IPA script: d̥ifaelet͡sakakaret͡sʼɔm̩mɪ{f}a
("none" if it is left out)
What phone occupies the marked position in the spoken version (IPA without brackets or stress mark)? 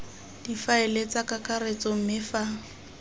f